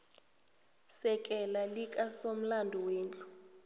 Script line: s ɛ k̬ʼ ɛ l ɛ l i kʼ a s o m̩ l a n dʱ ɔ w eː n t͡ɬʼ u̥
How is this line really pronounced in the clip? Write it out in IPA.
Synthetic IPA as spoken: s ɛ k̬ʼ ɛ l a l i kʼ a s o m̩ l a n dʱ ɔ w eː n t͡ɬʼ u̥